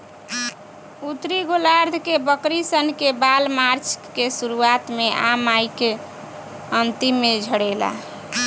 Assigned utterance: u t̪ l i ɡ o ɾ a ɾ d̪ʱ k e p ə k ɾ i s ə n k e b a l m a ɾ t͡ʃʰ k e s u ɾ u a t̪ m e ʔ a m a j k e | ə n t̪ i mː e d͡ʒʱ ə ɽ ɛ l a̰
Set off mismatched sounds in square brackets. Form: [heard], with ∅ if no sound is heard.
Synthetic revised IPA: u t̪ [ɾ] i ɡ o [l] a ɾ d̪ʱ k e [b] ə k ɾ i s ə n k e b a l m a ɾ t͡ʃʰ k e s u ɾ u a t̪ m e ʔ a m a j k e | ə n t̪ i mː e d͡ʒʱ ə ɽ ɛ l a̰